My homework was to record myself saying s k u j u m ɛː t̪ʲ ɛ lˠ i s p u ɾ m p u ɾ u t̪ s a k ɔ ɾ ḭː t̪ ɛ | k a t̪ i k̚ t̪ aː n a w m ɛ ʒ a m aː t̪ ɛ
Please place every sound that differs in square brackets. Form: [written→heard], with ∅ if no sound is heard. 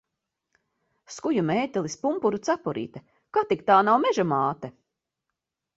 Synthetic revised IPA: s k u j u m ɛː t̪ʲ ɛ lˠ i s p u [ɾ→∅] m p u ɾ u t̪ s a [k→p] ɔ ɾ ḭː t̪ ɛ | k a t̪ i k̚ t̪ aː n a w m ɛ ʒ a m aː t̪ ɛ